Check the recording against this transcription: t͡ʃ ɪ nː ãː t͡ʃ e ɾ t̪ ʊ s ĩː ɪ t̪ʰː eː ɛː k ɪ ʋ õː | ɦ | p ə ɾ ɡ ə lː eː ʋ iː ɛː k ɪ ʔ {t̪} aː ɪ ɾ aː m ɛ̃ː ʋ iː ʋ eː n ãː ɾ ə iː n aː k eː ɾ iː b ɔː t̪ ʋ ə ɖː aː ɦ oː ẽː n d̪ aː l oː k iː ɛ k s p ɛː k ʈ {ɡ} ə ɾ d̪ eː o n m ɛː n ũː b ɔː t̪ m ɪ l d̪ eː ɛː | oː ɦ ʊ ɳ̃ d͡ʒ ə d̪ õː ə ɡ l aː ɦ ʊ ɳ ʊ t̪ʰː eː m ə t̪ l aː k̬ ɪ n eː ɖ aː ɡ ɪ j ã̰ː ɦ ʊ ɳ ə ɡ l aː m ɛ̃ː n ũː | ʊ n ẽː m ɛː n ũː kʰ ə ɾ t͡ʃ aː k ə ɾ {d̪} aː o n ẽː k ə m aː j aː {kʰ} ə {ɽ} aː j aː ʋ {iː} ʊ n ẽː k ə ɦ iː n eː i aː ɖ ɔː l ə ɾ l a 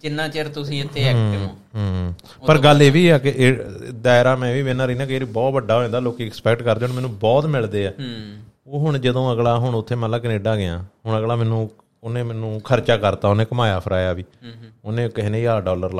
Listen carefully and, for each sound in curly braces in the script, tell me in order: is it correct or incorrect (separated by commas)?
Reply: incorrect, incorrect, incorrect, incorrect, incorrect, correct